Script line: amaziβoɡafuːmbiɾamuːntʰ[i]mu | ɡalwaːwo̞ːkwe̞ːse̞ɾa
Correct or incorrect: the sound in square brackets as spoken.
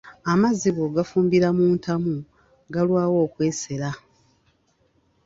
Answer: incorrect: a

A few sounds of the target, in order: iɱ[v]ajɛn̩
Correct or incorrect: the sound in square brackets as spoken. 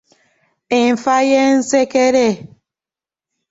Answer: incorrect: f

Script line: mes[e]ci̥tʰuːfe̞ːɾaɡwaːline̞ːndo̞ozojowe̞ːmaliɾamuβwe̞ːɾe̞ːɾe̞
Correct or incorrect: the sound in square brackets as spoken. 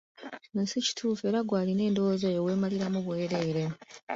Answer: incorrect: i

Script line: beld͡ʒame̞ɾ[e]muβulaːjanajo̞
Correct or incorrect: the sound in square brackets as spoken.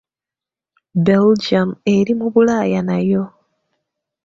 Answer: incorrect: i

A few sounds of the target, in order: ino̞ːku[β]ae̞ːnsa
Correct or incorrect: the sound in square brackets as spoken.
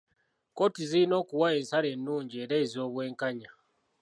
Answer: incorrect: w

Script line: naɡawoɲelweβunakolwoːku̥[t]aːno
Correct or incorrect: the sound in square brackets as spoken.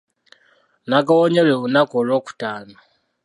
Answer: correct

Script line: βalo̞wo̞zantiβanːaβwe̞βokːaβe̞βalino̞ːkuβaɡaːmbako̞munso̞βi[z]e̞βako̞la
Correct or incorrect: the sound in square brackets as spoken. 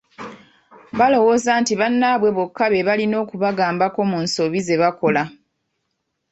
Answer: correct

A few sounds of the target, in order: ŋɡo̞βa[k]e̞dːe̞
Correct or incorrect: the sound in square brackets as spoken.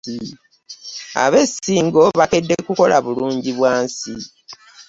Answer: correct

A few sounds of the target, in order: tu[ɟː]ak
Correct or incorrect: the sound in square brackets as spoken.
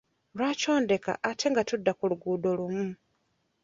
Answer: incorrect: dː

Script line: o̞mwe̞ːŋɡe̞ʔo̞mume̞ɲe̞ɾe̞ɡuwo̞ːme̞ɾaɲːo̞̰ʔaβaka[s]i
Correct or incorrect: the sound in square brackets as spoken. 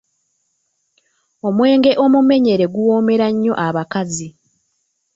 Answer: incorrect: z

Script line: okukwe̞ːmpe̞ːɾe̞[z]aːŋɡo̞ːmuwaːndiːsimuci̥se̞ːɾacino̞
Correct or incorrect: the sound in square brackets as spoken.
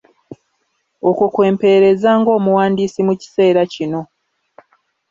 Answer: correct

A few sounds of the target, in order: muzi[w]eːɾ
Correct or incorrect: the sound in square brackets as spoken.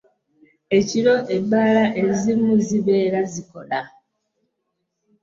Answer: incorrect: β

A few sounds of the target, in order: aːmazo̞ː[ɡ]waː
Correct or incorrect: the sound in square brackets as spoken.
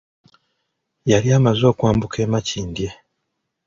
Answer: incorrect: k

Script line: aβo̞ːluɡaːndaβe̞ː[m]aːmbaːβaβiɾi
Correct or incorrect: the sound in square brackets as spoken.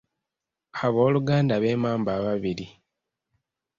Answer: correct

